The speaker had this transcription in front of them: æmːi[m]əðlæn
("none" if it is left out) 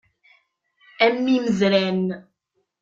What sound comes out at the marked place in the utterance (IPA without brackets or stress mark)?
m